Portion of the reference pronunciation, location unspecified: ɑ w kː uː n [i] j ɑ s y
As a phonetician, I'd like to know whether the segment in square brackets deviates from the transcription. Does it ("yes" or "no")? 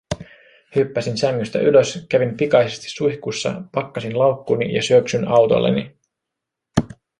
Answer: no